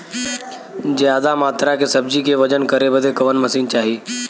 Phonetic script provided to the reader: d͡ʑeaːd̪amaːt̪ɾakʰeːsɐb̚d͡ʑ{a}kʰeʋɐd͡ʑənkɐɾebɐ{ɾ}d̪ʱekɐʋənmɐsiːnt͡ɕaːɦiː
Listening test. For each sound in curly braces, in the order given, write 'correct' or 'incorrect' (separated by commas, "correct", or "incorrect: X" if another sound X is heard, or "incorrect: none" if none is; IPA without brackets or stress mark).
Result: incorrect: i, incorrect: none